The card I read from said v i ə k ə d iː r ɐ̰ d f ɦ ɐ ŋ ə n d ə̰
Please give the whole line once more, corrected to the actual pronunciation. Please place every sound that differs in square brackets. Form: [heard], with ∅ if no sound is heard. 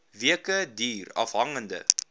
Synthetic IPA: v i ə k ə d iː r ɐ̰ [∅] f ɦ ɐ ŋ ə n d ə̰